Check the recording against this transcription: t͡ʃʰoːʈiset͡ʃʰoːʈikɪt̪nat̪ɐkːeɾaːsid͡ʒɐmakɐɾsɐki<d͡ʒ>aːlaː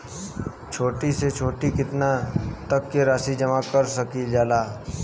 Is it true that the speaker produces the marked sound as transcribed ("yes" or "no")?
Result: yes